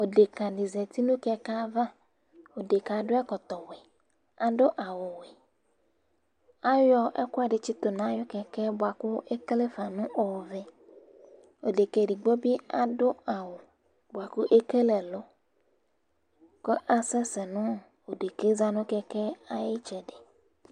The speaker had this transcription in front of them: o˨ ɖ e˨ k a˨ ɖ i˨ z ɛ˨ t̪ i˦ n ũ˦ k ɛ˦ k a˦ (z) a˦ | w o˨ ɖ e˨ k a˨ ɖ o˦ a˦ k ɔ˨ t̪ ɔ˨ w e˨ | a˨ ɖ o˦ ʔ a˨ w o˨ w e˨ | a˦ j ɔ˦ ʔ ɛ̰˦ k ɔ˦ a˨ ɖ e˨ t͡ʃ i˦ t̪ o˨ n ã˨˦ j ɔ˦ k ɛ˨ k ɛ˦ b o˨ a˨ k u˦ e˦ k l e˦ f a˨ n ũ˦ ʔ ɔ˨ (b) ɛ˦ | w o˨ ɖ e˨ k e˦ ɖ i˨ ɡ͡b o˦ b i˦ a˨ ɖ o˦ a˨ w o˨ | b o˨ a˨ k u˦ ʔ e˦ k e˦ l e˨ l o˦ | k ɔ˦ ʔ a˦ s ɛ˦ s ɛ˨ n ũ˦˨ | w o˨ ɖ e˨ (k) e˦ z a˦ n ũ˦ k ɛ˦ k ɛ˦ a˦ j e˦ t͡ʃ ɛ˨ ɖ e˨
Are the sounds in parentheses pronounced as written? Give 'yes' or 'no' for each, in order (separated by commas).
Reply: no, no, yes